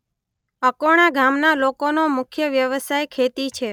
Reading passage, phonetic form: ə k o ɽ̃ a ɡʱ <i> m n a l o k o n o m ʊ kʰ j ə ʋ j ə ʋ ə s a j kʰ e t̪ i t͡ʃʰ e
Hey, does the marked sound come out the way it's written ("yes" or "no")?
no